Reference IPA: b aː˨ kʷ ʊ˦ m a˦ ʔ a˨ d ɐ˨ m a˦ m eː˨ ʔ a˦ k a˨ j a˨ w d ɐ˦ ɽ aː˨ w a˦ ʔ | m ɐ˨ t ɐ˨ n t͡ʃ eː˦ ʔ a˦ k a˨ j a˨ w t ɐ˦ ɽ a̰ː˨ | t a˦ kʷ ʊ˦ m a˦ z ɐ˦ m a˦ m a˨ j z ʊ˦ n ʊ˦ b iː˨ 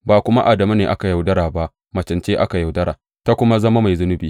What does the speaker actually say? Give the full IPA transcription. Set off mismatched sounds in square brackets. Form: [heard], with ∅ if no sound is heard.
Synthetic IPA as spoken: b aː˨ kʷ ʊ˦ m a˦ ʔ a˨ d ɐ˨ m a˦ [n] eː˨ ʔ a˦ k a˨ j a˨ w d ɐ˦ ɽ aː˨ [b] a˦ ʔ | m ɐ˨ [t͡ʃ] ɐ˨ n t͡ʃ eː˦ ʔ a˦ k a˨ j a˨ w [d] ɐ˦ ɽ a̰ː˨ | t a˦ kʷ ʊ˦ m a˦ z ɐ˦ m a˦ m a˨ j z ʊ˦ n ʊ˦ b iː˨